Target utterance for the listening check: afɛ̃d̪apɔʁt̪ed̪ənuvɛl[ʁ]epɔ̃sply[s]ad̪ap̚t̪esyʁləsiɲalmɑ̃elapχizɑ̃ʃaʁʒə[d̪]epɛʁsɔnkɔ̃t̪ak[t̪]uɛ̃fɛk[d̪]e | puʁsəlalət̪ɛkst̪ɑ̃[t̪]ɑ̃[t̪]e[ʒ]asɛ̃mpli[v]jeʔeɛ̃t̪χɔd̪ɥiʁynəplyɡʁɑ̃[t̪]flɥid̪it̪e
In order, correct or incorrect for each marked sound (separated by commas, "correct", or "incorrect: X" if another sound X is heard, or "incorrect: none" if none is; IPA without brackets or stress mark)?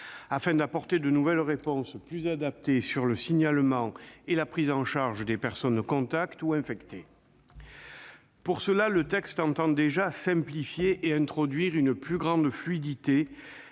correct, incorrect: z, correct, correct, incorrect: t̪, correct, incorrect: d̪, correct, incorrect: f, incorrect: d̪